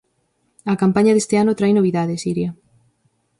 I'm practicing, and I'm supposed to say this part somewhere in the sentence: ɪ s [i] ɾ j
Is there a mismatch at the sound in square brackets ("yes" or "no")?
no